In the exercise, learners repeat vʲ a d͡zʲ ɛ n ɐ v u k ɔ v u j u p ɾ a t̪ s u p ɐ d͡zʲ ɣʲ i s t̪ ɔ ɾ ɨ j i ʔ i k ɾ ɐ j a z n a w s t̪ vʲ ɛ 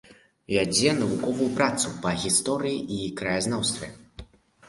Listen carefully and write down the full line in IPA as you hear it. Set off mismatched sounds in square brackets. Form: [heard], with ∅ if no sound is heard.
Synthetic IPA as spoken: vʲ a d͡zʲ ɛ n ɐ v u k ɔ v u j u p ɾ a t̪ s u p ɐ [∅] ɣʲ i s t̪ ɔ ɾ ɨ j i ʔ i k ɾ ɐ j a z n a w s t̪ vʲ ɛ